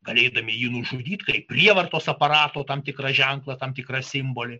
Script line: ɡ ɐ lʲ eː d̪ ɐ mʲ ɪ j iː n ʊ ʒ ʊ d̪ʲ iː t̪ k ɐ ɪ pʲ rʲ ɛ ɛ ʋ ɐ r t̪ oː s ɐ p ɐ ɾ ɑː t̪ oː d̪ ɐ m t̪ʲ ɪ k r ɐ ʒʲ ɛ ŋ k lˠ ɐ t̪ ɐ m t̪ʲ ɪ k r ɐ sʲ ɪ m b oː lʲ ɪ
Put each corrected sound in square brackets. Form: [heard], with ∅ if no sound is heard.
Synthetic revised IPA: ɡ ɐ lʲ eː d̪ ɐ mʲ ɪ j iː n ʊ ʒ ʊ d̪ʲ iː t̪ k ɐ ɪ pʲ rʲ [i] ɛ ʋ ɐ r t̪ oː s ɐ p ɐ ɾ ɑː t̪ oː [t̪] ɐ m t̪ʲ ɪ k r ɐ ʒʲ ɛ ŋ k lˠ ɐ t̪ ɐ m t̪ʲ ɪ k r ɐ sʲ ɪ m b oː lʲ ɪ